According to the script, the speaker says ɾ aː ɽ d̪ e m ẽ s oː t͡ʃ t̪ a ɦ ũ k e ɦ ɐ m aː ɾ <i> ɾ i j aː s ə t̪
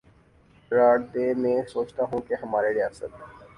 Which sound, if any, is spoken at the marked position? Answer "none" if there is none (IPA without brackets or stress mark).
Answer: e